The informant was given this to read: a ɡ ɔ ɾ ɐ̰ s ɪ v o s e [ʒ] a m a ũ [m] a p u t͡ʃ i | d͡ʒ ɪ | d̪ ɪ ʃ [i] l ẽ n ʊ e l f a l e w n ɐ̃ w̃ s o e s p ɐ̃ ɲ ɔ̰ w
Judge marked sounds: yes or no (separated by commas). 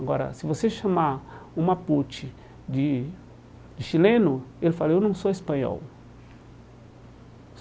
no, yes, yes